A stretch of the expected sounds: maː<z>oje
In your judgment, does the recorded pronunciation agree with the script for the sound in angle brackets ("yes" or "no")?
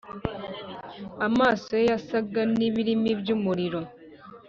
no